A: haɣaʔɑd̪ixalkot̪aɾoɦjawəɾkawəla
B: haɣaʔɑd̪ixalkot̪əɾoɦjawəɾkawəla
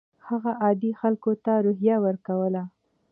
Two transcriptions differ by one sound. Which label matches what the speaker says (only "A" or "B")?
A